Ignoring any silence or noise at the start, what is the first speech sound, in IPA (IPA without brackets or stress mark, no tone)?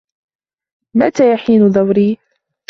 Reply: m